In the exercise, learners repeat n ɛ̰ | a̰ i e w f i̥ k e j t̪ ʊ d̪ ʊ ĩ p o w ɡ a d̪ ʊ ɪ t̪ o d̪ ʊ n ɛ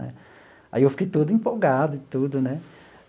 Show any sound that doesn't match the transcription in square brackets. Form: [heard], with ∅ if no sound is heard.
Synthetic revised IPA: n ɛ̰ | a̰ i e w f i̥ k e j t̪ [u] d̪ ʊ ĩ p o w ɡ a d̪ ʊ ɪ t̪ [u] d̪ ʊ n ɛ